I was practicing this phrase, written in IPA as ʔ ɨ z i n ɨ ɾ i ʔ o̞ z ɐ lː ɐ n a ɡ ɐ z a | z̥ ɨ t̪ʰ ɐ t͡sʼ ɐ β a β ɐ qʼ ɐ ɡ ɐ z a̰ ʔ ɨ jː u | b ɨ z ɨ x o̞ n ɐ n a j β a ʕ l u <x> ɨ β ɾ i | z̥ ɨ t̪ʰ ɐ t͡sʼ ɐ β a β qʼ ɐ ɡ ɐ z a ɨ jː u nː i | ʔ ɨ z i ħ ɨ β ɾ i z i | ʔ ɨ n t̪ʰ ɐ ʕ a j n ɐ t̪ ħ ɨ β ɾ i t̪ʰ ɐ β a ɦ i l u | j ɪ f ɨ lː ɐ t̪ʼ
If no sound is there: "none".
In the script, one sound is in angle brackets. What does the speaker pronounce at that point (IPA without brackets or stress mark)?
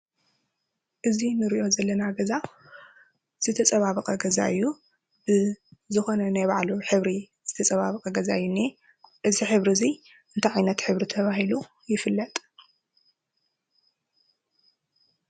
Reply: ħ